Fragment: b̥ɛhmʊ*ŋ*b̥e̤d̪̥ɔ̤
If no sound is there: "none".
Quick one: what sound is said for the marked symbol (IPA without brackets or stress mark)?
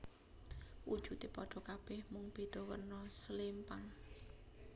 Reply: ŋ